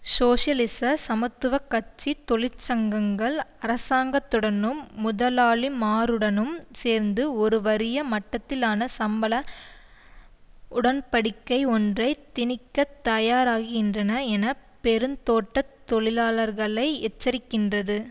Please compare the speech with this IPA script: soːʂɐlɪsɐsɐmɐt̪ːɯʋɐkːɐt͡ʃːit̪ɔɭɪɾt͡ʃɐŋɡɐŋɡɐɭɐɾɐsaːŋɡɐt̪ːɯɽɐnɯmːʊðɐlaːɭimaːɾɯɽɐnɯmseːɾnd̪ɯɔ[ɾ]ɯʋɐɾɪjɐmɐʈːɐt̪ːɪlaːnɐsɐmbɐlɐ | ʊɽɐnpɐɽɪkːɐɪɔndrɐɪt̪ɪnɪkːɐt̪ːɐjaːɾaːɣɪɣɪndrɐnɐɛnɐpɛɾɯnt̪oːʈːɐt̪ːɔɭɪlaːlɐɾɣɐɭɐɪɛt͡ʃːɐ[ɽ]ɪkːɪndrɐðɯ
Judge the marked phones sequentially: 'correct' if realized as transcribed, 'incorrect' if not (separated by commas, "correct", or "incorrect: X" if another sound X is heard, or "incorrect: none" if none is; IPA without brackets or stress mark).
correct, incorrect: ɾ